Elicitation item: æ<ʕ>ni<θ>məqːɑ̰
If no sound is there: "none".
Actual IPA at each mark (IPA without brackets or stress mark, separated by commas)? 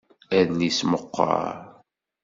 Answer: ð, s